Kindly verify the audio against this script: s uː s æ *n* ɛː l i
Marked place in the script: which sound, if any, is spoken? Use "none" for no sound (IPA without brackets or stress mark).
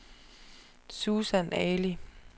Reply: n